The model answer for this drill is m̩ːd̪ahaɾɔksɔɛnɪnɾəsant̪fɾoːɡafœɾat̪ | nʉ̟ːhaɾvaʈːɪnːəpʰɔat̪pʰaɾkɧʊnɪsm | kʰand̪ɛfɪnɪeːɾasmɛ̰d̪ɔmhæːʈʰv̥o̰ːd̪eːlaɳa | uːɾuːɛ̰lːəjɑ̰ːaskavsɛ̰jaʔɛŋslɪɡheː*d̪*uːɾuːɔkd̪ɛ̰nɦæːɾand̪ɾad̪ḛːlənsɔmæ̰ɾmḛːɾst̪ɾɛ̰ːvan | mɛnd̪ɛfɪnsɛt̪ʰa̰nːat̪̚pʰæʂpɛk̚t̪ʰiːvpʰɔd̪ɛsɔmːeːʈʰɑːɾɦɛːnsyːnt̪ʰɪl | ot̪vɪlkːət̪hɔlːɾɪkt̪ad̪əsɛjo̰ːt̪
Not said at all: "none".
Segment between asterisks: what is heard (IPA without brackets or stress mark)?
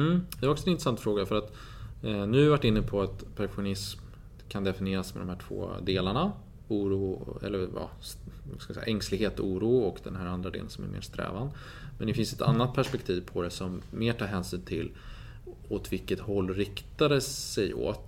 t̪